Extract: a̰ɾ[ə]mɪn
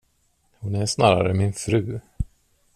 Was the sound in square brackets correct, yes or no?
yes